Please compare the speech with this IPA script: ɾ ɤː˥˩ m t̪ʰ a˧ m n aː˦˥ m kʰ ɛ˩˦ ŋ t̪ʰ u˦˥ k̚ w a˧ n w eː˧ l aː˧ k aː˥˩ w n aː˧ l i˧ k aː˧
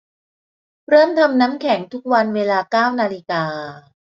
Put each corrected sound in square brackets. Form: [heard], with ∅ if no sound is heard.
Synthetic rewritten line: ɾ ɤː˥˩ m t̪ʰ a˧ m n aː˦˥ m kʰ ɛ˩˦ ŋ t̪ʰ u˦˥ k̚ w a˧ n w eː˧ l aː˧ k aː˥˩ w n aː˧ l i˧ k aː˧